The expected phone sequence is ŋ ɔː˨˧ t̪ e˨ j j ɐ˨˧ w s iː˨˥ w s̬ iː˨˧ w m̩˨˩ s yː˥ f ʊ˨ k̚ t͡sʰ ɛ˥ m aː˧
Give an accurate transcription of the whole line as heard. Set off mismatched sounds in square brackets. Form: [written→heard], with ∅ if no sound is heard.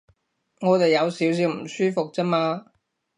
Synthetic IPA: ŋ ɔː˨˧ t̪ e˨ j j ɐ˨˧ w s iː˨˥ w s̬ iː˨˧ w m̩˨˩ s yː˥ f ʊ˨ k̚ [t͡sʰ→t͡s] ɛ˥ m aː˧